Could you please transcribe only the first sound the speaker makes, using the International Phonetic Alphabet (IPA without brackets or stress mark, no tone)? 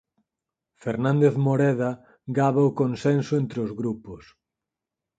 f